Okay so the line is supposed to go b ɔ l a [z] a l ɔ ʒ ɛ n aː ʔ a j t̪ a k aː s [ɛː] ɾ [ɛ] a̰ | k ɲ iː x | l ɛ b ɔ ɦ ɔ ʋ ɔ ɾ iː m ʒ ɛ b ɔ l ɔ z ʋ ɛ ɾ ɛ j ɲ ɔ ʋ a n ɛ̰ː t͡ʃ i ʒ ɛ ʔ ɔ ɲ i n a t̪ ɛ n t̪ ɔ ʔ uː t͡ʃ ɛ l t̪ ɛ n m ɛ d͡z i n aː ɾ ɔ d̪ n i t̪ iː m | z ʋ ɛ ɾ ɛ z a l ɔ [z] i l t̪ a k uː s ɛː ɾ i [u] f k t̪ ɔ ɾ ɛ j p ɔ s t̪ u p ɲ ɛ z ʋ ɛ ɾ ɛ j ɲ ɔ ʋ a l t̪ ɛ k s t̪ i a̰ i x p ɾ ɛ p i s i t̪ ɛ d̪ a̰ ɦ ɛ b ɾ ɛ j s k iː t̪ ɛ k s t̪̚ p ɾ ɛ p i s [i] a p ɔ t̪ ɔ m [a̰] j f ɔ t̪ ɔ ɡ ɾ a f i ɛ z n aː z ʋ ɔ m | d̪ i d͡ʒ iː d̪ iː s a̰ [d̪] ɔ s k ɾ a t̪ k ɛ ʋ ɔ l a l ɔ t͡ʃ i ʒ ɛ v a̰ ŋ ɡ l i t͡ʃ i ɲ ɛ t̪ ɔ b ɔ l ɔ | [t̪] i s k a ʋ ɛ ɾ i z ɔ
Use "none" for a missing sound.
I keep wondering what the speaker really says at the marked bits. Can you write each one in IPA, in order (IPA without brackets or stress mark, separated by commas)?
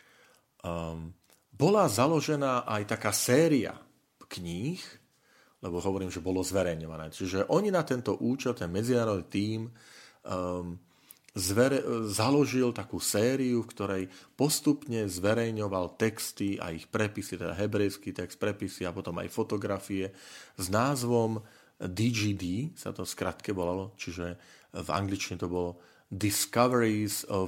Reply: z, ɛː, i, ʒ, u, i, a̰, t̪, d̪